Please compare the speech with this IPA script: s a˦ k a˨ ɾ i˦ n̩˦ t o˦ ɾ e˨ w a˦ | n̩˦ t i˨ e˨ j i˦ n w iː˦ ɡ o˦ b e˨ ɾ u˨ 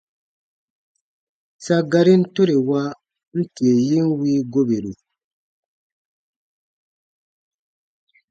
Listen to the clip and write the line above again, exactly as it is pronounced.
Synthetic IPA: s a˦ ɡ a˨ ɾ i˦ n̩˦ t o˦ ɾ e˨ w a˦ | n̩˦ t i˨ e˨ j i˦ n w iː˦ ɡ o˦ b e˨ ɾ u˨